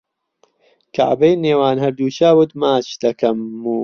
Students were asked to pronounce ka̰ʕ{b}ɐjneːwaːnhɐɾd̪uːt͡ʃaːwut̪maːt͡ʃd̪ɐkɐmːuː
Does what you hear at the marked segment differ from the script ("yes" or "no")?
no